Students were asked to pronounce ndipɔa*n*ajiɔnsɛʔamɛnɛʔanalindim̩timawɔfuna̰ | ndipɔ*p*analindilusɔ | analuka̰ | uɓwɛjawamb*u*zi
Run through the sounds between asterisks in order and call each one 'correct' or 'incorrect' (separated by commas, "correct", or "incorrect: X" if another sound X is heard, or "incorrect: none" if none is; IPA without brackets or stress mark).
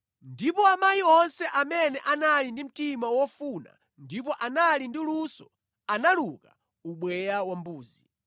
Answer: incorrect: m, incorrect: ʔ, incorrect: uː